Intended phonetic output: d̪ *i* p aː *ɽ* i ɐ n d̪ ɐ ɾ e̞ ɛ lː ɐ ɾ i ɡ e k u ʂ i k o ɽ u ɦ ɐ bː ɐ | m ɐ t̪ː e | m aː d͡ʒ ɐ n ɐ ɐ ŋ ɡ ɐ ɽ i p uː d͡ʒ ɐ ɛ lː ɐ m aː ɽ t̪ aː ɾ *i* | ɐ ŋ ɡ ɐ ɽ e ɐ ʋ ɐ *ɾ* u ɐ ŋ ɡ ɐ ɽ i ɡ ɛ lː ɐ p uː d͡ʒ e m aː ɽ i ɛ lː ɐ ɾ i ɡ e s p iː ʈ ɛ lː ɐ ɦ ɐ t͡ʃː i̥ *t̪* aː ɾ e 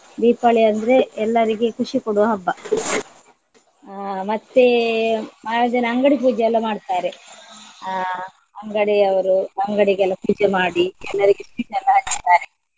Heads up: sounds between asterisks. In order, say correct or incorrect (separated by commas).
incorrect, incorrect, incorrect, correct, correct